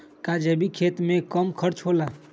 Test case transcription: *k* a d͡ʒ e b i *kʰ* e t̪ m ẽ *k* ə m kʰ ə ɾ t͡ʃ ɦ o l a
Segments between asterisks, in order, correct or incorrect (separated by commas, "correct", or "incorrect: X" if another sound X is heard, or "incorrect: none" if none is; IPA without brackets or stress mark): correct, correct, correct